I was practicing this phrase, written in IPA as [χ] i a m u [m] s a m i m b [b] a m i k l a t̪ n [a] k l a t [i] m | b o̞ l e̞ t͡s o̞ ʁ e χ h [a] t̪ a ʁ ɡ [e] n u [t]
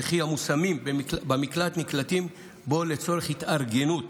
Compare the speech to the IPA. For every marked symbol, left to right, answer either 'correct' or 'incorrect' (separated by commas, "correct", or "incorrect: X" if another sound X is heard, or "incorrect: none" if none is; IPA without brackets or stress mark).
correct, incorrect: none, correct, incorrect: i, correct, incorrect: i, correct, correct